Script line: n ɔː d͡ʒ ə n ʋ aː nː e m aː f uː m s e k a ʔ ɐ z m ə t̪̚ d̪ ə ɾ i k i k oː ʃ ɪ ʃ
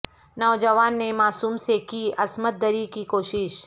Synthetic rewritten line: n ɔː d͡ʒ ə ʋ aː nː e m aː s uː m s e k i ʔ ɐ s m ə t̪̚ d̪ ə ɾ i k i k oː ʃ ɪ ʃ